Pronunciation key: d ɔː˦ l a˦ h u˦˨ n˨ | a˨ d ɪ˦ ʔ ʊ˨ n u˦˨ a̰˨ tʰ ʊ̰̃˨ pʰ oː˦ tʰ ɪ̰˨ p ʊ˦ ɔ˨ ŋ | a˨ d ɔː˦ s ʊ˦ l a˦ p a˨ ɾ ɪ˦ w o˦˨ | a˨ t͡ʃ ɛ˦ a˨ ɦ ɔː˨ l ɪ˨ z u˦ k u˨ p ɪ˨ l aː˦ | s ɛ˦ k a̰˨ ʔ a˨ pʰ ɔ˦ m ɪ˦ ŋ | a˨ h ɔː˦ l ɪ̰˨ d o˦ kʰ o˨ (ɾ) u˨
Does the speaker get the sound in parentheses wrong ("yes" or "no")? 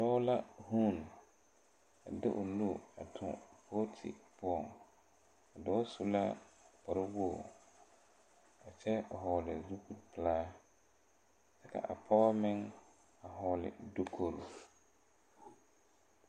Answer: no